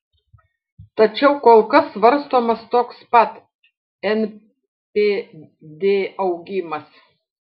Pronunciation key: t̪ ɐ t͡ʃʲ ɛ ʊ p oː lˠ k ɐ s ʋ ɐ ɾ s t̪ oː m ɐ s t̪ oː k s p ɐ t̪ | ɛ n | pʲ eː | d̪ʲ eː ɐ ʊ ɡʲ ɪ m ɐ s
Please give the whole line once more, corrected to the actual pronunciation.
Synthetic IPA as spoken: t̪ ɐ t͡ʃʲ ɛ ʊ k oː lˠ k ɐ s ʋ ɐ ɾ s t̪ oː m ɐ s t̪ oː k s p ɐ t̪ | ɛ n | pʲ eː | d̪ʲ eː ɐ ʊ ɡʲ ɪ m ɐ s